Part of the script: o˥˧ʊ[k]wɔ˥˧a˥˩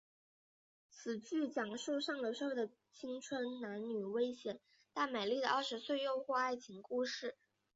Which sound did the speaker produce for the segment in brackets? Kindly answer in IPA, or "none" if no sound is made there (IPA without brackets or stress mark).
x